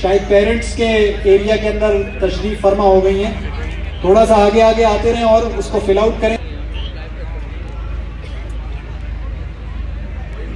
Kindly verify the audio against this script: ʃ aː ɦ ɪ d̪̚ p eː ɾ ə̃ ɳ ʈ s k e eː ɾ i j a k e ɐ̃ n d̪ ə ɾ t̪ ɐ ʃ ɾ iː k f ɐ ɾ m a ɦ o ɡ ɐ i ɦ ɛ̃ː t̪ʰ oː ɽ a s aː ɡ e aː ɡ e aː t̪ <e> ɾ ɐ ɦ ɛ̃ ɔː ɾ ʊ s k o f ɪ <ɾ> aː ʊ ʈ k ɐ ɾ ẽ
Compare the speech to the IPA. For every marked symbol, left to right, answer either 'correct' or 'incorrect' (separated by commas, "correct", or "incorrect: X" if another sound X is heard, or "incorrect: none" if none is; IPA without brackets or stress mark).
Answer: correct, incorrect: l